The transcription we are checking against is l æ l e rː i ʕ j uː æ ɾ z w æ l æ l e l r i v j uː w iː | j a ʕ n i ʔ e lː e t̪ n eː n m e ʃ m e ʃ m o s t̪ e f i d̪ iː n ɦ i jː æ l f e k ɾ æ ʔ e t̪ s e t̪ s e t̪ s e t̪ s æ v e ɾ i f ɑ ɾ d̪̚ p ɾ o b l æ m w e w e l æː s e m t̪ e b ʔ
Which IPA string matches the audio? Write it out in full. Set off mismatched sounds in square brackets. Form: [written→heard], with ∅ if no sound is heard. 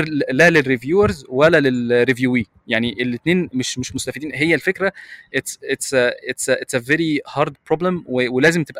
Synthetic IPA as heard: l æ l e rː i [ʕ→v] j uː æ ɾ z w æ l æ l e l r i v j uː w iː | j a ʕ n i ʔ e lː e t̪ n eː n m e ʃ m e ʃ m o s t̪ [e→æ] f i d̪ iː n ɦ [i→e] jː æ l f e k ɾ æ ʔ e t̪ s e t̪ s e t̪ s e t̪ s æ v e ɾ i [f→h] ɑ ɾ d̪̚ p ɾ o b l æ m w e w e l æː [s→z] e m t̪ e b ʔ